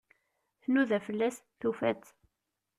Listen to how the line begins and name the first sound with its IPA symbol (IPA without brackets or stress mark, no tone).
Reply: θ